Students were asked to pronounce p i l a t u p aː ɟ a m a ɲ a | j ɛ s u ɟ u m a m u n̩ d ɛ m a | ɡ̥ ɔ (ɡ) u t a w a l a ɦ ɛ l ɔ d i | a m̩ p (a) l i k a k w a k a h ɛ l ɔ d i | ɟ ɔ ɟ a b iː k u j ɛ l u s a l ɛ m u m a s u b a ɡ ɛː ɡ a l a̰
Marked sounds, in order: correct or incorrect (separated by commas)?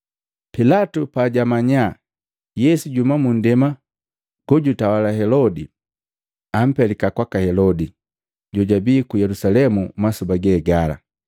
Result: incorrect, incorrect